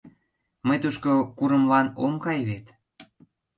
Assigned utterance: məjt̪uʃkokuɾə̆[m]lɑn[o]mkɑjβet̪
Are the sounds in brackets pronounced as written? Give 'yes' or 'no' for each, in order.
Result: yes, yes

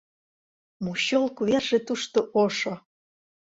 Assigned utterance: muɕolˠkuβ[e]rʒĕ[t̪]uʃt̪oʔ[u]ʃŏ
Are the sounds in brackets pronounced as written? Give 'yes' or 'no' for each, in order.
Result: yes, yes, no

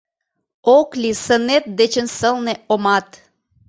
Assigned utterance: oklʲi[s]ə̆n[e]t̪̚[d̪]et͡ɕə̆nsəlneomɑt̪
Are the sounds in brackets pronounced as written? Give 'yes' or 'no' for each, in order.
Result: yes, yes, yes

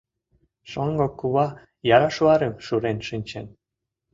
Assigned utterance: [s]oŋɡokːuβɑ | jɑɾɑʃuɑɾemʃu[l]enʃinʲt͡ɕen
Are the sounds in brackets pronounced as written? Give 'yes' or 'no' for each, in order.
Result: no, no

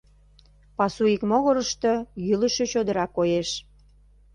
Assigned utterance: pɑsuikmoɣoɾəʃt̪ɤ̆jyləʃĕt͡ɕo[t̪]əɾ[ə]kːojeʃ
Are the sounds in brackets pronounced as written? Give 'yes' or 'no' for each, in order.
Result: no, no

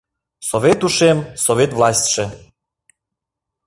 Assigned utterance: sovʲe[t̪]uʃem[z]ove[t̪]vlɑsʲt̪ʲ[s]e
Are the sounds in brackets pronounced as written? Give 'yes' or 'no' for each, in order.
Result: yes, no, yes, no

